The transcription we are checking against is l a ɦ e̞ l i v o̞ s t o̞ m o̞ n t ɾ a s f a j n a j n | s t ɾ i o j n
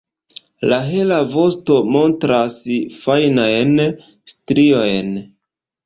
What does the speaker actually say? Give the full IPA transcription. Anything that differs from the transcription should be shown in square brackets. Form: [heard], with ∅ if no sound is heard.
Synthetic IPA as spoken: l a ɦ e̞ l [a] v o̞ s t o̞ m o̞ n t ɾ a s f a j n a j n | s t ɾ i o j n

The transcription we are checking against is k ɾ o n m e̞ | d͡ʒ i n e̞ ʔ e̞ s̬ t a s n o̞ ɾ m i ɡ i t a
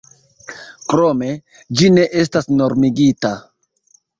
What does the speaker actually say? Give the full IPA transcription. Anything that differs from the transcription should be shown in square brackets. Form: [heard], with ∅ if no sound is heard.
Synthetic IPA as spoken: k ɾ o [∅] m e̞ | d͡ʒ i n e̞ ʔ e̞ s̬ t a s n o̞ ɾ m i ɡ i t a

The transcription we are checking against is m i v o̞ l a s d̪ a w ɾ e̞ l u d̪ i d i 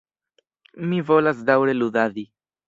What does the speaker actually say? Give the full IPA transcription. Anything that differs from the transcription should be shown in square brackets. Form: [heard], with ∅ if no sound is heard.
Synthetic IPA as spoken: m i v o̞ l a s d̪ a w ɾ e̞ l u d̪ [a] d i

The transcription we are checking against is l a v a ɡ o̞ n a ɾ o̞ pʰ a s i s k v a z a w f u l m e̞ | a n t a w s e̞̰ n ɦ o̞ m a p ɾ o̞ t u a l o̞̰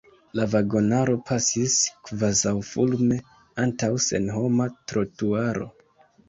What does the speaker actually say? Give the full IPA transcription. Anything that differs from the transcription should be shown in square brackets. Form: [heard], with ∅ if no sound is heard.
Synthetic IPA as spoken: l a v a ɡ o̞ n a ɾ o̞ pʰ a s i s k v a z a w f u l m e̞ | a n t a w s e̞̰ n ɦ o̞ m a [t] ɾ o̞ t u a [ɾ] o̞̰

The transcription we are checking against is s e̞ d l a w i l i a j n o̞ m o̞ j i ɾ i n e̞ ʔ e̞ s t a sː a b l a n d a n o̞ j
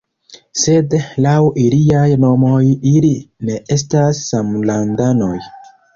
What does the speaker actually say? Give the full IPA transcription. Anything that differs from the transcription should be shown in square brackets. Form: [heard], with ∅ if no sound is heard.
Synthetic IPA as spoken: s e̞ d l a w i l i a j n o̞ m o̞ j i [l] i n e̞ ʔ e̞ s t a sː a [m] l a n d a n o̞ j

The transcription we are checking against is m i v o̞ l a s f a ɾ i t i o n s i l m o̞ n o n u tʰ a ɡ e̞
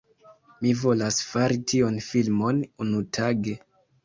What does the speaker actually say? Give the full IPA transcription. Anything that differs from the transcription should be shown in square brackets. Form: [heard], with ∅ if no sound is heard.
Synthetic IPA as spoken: m i v o̞ l a s f a ɾ i t i o n [f] i l m o̞ n [u] n u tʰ a ɡ e̞

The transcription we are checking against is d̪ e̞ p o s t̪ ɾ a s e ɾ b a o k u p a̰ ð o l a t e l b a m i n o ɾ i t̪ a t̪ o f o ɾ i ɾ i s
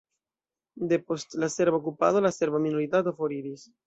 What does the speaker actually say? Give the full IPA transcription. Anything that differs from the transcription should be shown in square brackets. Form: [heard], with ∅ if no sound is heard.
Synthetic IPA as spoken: d̪ e̞ p o s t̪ [l] a s e ɾ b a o k u p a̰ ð o l a [s] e [ɾ] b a m i n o ɾ i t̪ a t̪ o f o ɾ i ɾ i s

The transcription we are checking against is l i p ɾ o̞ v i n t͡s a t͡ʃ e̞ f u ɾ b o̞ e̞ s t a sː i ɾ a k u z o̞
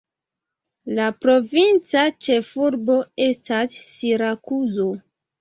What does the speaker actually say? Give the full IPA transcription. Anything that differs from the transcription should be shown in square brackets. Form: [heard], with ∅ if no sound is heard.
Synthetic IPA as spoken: l [a] p ɾ o̞ v i n t͡s a t͡ʃ e̞ f u ɾ b o̞ e̞ s t a sː i ɾ a k u z o̞

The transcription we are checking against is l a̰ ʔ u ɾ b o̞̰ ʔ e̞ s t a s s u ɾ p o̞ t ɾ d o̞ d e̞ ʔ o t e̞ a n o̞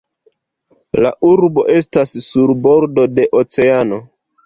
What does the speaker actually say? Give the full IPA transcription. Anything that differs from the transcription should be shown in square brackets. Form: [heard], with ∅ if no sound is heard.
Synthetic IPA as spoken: l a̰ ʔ u ɾ b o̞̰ ʔ e̞ s t a s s u ɾ [b] o̞ [∅] ɾ d o̞ d e̞ ʔ o [t͡s] e̞ a n o̞

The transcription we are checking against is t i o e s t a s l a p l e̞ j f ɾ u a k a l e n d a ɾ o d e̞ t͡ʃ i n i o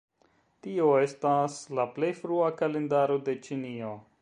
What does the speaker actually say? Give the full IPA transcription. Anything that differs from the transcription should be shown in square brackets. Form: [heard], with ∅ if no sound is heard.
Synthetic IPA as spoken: t i o e s t a s l a p l e̞ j f ɾ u a k a l e n d a ɾ o d e̞ t͡ʃ i n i o

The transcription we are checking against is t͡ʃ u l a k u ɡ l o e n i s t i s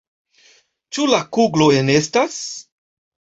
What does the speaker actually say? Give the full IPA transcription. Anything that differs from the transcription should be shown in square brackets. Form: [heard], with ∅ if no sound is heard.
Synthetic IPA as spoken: t͡ʃ u l a k u ɡ l o e n [e] s t [a] s

